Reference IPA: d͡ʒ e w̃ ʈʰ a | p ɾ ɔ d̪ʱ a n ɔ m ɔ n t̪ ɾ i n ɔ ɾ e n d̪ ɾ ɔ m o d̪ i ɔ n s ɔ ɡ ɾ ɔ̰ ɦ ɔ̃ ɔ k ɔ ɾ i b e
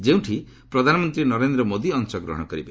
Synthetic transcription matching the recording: d͡ʒ e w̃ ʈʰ i | p ɾ ɔ d̪ʱ a n ɔ m ɔ n t̪ ɾ i n ɔ ɾ e n d̪ ɾ ɔ m o d̪ i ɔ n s ɔ ɡ ɾ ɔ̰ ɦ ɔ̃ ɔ k ɔ ɾ i b e